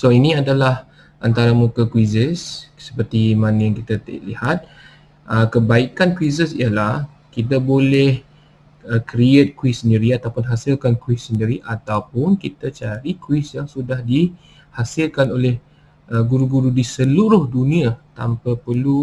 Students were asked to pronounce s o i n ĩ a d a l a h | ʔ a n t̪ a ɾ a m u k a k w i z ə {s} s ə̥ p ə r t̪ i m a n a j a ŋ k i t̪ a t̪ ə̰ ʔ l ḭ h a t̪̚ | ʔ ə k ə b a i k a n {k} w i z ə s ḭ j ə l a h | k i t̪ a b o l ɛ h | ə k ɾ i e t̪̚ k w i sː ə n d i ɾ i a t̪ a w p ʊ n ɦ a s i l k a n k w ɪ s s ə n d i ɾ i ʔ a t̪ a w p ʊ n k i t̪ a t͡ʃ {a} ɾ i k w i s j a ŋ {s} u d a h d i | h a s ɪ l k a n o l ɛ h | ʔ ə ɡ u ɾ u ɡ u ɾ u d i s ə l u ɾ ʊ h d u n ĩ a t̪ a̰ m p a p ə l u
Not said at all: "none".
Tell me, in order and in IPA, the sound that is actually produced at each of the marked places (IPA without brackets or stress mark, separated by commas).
s, k, a, s